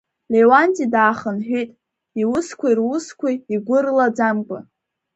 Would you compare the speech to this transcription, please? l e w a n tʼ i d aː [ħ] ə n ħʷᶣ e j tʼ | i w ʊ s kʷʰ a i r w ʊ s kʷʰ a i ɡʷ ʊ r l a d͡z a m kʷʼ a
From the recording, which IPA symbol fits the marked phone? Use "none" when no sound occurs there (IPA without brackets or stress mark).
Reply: χ